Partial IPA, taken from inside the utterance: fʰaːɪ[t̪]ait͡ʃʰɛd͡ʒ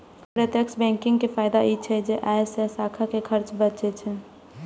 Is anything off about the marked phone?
yes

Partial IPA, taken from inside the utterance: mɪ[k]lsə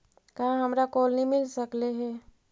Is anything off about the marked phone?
yes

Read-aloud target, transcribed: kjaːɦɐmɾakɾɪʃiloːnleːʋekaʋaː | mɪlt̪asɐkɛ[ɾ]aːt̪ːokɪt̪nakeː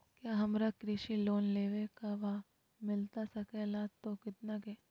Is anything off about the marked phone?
yes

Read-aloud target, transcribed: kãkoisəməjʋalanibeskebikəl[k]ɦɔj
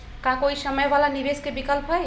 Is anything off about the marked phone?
yes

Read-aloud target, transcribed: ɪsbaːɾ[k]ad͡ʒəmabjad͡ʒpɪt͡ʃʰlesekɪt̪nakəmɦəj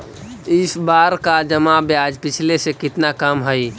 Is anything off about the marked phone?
no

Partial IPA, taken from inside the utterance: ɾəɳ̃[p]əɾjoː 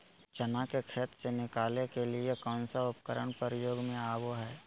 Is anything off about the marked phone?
no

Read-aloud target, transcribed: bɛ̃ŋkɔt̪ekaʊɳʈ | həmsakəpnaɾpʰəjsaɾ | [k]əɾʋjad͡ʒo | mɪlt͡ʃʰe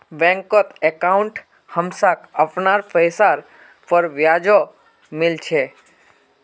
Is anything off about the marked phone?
yes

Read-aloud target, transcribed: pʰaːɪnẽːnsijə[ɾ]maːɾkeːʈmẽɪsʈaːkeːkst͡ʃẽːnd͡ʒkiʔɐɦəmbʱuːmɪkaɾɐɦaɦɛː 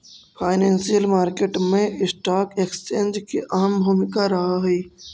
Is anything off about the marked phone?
yes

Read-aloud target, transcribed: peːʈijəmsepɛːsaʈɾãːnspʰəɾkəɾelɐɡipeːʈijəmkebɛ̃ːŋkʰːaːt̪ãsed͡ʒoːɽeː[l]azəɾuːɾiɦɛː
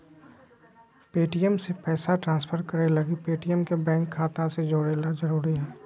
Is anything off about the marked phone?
no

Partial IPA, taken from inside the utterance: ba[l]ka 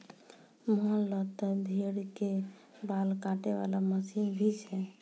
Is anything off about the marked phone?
no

